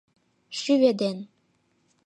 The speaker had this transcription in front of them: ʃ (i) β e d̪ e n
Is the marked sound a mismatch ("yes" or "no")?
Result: yes